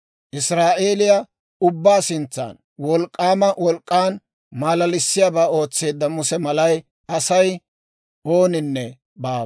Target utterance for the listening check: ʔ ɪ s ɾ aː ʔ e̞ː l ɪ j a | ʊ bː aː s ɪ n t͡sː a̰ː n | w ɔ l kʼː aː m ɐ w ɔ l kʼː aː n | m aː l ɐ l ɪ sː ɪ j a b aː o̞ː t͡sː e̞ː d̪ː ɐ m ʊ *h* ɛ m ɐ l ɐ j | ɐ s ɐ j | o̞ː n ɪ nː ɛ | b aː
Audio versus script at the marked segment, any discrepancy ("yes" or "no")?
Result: yes